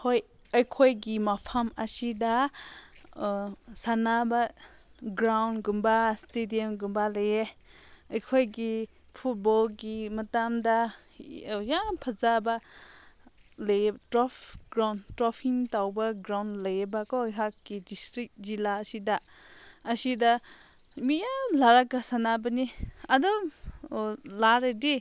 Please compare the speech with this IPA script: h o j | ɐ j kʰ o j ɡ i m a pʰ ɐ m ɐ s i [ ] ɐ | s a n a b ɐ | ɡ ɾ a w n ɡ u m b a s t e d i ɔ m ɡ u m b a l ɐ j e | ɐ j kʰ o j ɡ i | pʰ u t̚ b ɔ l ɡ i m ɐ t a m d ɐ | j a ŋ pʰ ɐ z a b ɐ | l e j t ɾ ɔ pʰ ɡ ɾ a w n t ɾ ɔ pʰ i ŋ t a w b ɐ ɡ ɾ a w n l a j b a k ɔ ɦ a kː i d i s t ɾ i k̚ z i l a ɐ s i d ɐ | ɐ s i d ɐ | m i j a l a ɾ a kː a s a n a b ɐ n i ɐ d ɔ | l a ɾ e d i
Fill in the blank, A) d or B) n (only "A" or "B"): A